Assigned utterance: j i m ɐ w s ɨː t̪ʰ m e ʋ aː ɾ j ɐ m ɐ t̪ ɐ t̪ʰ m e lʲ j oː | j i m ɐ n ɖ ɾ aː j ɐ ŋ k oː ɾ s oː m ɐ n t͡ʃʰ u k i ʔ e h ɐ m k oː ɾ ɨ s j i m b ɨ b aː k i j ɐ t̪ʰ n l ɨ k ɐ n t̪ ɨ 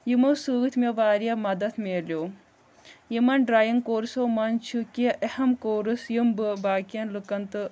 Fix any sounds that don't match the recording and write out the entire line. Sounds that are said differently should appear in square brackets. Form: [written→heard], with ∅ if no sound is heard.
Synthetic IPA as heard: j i m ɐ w s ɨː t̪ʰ m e ʋ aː ɾ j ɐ m ɐ [t̪→d̪] ɐ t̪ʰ m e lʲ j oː | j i m ɐ n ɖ ɾ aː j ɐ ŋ k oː ɾ s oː m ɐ n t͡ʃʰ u k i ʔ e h ɐ m k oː ɾ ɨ s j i m b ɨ b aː k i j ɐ [t̪ʰ→∅] n l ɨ k ɐ n t̪ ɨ

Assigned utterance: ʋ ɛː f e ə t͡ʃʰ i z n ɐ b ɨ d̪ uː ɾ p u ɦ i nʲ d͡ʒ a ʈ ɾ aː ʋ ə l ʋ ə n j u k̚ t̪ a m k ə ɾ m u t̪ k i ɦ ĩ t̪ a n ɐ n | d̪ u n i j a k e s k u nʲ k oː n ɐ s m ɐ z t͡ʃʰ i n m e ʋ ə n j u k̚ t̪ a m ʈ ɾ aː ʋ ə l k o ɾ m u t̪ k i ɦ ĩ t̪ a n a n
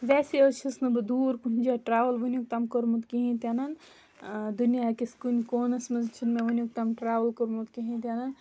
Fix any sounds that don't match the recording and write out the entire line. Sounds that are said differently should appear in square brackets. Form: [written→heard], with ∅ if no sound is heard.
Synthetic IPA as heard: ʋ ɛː [f→s] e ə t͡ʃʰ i [z→s] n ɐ b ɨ d̪ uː ɾ p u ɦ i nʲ d͡ʒ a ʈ ɾ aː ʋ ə l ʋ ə n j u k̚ t̪ a m k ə ɾ m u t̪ k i ɦ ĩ t̪ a n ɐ n | d̪ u n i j a k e s k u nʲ k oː n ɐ s m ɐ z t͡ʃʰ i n m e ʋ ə n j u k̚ t̪ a m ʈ ɾ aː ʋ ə l k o ɾ m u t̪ k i ɦ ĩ t̪ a n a n

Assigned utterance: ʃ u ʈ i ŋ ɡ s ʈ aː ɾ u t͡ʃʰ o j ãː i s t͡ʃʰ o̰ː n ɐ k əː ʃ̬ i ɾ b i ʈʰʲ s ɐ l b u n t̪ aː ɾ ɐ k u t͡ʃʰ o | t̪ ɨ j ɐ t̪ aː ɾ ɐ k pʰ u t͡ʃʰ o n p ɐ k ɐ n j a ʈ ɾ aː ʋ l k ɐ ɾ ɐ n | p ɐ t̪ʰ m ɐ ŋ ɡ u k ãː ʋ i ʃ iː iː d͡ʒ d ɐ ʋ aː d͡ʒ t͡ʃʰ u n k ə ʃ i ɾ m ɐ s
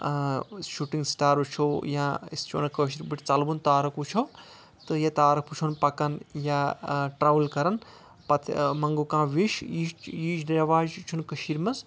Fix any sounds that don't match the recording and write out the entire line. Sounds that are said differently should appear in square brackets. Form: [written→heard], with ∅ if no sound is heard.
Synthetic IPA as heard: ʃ u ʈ i ŋ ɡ s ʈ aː ɾ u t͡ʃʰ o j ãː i s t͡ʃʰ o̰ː n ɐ k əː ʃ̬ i ɾ b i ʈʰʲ [s→t͡s] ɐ l b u n t̪ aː ɾ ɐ k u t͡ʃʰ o | t̪ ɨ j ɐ t̪ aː ɾ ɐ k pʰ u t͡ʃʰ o n p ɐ k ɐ n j a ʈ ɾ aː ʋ l k ɐ ɾ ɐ n | p ɐ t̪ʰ m ɐ ŋ ɡ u k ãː ʋ i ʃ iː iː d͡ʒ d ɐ ʋ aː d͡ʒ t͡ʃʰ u n k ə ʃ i ɾ m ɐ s

